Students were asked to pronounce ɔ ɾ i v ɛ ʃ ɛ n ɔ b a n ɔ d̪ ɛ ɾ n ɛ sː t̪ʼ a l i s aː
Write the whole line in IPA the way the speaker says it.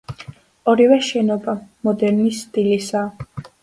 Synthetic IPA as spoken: ɔ ɾ i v ɛ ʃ ɛ n ɔ b a m ɔ d̪ ɛ ɾ n i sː t̪ʼ i l i s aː